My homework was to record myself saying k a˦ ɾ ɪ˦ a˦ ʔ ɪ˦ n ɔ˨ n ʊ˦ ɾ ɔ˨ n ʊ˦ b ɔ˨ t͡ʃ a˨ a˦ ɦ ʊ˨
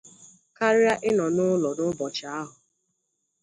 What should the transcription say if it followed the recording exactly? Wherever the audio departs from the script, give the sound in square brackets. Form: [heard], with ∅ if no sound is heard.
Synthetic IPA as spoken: k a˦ ɾ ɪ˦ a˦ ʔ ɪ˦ n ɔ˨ n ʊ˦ [l] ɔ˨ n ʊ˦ b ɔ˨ t͡ʃ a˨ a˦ ɦ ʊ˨